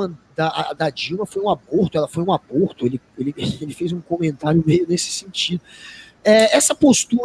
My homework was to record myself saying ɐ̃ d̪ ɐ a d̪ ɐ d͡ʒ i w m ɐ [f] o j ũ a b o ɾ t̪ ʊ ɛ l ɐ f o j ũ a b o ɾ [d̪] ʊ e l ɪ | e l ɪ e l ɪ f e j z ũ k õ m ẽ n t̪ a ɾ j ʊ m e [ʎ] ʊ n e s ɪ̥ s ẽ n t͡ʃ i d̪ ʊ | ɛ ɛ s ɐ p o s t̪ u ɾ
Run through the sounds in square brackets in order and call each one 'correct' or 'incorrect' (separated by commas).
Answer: correct, incorrect, incorrect